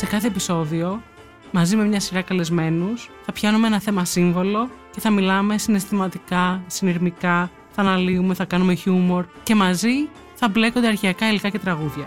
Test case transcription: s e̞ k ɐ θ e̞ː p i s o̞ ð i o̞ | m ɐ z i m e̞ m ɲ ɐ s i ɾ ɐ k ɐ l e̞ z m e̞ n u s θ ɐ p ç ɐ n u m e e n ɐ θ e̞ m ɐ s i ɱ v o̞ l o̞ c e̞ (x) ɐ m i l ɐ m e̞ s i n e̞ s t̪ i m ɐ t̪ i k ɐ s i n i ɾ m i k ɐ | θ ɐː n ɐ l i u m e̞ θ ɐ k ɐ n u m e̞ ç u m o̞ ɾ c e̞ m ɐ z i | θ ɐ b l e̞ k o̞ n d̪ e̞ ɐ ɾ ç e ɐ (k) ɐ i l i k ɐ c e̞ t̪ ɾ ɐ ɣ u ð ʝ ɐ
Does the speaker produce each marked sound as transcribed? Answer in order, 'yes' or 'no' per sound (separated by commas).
no, yes